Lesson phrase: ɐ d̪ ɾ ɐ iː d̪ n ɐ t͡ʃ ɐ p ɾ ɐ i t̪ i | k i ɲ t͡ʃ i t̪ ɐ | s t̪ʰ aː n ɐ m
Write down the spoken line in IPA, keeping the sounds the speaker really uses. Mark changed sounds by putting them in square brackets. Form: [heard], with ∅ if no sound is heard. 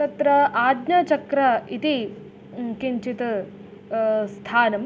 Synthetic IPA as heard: ɐ [t̪] ɾ ɐ [aː] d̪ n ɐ t͡ʃ ɐ [k] ɾ ɐ i t̪ i | k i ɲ t͡ʃ i t̪ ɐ | s t̪ʰ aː n ɐ m